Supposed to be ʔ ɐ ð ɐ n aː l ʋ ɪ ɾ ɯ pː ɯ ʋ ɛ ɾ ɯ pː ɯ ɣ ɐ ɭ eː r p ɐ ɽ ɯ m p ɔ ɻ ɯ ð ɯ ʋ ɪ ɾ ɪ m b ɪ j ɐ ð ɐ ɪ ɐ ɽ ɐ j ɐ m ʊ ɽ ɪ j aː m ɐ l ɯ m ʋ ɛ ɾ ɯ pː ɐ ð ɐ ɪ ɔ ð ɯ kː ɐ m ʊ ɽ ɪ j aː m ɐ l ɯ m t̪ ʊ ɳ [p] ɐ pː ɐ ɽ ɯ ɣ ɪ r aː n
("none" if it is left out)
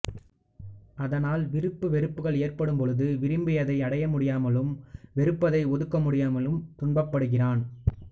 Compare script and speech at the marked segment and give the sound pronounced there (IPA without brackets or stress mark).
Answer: b